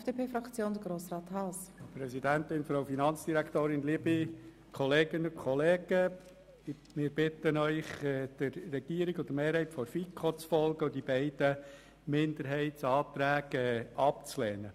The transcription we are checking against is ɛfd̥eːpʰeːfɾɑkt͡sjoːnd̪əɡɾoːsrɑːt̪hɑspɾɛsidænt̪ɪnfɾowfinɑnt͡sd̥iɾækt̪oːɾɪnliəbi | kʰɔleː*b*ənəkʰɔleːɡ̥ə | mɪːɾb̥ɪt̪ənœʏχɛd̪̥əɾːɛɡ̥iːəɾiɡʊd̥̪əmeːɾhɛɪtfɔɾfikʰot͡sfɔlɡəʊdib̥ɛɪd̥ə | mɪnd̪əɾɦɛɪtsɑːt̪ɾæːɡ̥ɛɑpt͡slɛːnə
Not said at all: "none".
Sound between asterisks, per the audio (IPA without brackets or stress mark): ɡ